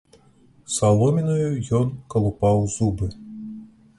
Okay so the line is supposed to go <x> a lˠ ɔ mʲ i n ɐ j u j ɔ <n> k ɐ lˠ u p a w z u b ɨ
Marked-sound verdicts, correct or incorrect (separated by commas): incorrect, correct